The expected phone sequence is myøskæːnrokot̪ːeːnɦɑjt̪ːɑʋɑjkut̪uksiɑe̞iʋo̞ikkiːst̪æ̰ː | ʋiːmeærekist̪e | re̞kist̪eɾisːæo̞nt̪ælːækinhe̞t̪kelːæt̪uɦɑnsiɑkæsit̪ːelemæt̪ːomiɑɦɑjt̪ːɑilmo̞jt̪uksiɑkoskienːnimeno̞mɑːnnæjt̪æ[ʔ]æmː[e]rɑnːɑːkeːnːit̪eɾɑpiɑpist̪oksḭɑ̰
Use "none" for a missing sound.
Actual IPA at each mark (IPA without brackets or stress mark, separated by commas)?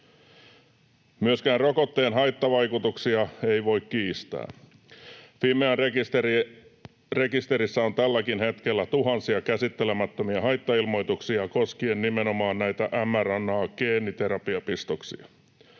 ʔ, æ